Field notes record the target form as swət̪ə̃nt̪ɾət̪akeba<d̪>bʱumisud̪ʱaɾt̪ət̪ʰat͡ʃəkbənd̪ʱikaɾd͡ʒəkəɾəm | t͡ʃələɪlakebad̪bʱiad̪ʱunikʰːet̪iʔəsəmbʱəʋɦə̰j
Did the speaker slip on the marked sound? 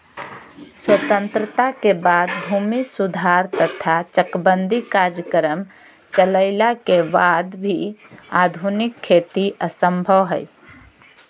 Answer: no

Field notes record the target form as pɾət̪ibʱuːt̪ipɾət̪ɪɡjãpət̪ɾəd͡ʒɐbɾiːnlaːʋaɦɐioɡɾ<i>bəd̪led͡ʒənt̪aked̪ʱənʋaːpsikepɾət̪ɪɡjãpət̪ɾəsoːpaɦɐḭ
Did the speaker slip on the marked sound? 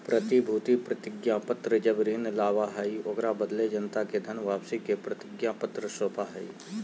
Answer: yes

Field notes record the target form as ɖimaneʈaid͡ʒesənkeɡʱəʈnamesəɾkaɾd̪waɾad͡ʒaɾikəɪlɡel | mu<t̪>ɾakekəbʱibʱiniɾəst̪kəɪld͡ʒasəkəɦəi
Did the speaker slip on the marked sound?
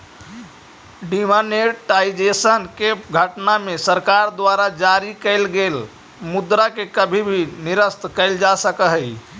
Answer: yes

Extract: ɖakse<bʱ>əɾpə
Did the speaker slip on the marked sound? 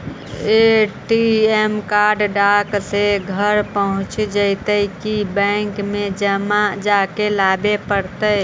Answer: yes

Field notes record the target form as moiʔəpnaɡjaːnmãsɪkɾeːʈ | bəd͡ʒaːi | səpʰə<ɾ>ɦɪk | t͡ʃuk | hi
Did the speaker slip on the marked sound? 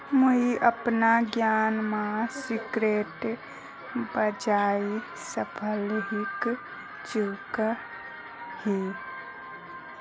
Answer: yes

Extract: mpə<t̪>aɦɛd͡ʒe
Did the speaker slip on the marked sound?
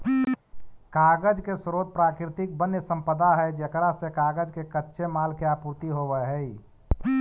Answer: yes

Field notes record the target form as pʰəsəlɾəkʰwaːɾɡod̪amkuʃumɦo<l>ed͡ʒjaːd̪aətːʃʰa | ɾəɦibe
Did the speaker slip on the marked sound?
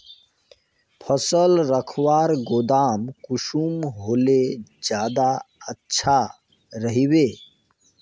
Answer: no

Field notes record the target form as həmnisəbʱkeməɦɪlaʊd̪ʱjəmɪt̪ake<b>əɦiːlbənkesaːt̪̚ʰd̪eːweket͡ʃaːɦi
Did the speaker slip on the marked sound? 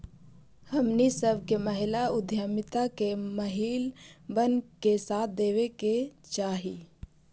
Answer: yes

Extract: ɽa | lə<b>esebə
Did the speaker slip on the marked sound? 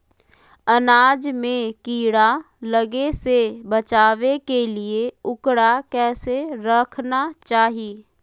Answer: yes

